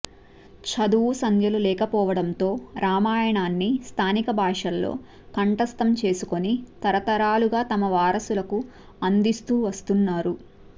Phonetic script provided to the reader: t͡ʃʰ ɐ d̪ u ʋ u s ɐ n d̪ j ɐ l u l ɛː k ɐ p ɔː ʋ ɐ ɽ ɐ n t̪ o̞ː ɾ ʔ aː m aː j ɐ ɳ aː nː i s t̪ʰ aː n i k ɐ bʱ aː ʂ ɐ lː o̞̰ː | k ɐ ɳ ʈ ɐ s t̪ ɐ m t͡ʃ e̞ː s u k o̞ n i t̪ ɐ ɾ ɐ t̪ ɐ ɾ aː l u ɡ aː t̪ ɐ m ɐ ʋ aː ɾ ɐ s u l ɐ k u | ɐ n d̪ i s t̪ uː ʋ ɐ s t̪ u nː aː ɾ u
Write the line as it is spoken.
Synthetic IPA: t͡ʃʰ ɐ d̪ u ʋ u s ɐ n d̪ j ɐ l u l ɛː k ɐ p ɔː ʋ ɐ ɽ ɐ n t̪ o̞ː ɾ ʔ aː m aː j ɐ ɳ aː nː i s t̪ʰ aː n i k ɐ bʱ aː ʂ ɐ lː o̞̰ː | k ɐ ɳ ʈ ɐ s t̪ ɐ m t͡ʃ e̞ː s u k o̞ n i t̪ ɐ ɾ ɐ t̪ ɐ ɾ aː l u ɡ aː t̪ ɐ m ɐ ʋ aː ɾ ɐ s u l ɐ k u | ɐ n d̪ i s t̪ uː ʋ ɐ s t̪ u nː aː ɾ u